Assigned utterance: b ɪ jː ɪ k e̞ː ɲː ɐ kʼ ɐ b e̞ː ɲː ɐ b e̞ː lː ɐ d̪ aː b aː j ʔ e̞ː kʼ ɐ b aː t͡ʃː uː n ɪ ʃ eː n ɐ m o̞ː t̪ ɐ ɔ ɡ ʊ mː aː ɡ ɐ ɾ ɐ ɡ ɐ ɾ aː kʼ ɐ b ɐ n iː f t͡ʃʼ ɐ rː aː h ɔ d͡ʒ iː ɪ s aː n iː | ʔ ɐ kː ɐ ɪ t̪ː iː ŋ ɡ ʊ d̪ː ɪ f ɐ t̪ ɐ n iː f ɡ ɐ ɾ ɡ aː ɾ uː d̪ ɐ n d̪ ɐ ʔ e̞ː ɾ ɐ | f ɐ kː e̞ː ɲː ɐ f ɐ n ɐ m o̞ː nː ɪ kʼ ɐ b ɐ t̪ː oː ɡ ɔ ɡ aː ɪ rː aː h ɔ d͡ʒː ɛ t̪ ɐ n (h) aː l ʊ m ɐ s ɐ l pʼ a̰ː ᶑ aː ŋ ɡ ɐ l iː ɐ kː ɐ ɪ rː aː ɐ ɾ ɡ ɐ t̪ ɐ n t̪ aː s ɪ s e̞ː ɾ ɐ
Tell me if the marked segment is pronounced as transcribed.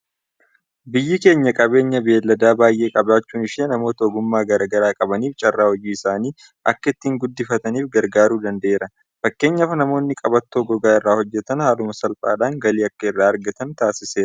yes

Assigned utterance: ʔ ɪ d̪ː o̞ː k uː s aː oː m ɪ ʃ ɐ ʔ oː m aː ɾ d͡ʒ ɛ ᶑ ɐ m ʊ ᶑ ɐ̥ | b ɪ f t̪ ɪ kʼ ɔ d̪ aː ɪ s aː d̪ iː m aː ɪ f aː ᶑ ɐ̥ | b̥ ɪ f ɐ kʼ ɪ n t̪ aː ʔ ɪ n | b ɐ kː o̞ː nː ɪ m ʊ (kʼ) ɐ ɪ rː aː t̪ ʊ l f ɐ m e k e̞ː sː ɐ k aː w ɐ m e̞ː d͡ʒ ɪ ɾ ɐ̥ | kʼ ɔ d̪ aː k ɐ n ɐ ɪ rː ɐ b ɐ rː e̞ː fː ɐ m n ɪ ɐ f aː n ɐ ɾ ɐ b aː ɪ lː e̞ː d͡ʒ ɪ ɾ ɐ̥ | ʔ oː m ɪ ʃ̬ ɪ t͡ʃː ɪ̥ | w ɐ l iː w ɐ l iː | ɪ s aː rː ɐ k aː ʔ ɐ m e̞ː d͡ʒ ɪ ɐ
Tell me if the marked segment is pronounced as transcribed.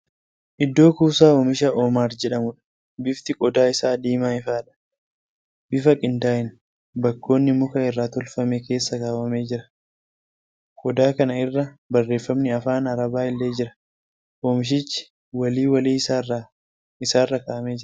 no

